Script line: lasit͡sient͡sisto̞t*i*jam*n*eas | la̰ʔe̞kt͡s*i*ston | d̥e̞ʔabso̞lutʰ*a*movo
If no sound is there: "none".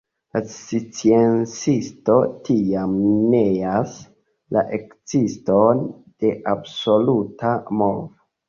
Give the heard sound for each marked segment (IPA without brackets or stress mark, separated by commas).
i, n, i, a